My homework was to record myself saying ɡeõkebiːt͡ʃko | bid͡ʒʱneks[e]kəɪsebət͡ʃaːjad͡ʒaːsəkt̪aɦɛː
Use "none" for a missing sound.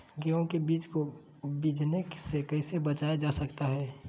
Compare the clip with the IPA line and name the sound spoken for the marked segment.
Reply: e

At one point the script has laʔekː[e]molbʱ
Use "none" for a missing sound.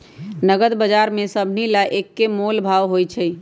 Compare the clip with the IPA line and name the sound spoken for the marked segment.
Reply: e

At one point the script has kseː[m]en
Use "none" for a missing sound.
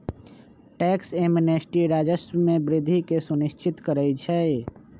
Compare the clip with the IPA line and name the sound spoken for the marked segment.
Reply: m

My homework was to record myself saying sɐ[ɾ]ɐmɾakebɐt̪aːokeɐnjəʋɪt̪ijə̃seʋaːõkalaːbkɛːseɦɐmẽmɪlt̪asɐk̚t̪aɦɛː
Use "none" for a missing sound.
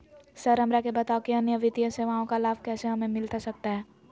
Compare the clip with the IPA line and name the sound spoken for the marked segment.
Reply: ɾ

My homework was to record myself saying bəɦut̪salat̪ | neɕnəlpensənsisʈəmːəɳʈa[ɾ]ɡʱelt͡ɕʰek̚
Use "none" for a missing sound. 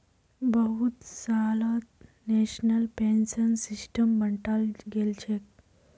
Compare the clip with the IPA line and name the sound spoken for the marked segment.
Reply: l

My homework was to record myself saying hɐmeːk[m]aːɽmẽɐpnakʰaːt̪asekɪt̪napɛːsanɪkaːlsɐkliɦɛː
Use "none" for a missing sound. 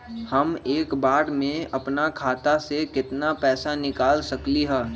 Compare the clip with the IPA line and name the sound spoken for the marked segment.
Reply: b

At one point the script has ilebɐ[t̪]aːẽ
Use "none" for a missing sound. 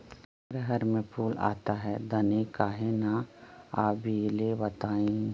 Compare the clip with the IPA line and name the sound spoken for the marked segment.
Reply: t̪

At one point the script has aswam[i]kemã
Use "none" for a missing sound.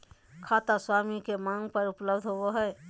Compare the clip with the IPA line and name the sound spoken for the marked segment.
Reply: i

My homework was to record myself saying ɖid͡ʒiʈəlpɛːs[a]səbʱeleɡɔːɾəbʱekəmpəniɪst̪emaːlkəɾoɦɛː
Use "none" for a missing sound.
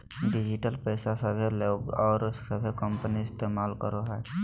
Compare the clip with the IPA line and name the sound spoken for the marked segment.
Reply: a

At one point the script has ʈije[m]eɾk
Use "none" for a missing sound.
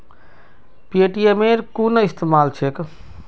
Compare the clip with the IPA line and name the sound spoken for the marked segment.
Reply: m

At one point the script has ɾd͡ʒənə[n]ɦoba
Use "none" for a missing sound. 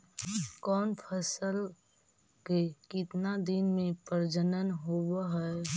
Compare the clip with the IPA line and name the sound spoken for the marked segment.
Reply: n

